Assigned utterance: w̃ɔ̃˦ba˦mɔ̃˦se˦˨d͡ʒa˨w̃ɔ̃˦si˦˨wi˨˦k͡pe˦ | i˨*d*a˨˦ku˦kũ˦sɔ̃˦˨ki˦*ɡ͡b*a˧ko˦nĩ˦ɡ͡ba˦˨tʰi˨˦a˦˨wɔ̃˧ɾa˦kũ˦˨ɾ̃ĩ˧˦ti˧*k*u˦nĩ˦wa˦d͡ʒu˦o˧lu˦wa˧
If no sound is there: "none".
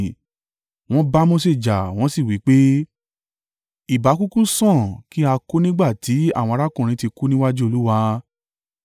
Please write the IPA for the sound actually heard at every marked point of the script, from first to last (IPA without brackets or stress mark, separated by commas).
b, none, k